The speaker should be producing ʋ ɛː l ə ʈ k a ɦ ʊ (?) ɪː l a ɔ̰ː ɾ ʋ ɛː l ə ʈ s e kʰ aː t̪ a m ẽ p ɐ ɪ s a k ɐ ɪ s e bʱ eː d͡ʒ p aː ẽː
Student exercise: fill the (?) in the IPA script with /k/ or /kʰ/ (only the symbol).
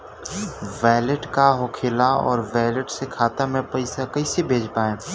kʰ